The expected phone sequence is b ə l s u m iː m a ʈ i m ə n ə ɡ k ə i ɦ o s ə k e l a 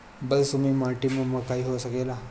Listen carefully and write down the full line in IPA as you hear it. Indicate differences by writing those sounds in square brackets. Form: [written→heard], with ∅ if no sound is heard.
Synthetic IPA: b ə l s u m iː m a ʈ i m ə [n→m] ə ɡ k [ə→a] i ɦ o s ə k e l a